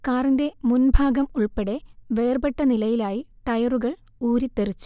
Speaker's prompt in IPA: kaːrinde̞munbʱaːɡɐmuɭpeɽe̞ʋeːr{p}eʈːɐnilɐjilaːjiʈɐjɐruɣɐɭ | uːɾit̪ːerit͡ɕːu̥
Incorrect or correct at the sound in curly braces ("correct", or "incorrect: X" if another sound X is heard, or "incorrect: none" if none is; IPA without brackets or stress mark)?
incorrect: b